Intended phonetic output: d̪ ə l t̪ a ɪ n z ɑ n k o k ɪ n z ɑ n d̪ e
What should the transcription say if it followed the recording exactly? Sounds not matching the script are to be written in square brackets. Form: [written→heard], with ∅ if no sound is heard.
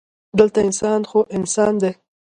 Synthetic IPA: d̪ ə l t̪ a ɪ n [z→s] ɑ n [k→x] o [k→ʔ] ɪ n [z→s] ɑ n d̪ e